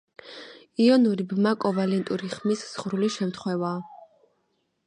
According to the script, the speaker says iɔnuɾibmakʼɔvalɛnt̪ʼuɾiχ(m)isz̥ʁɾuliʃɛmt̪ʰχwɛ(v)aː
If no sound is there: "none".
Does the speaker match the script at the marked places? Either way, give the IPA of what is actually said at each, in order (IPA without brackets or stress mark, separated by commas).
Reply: m, v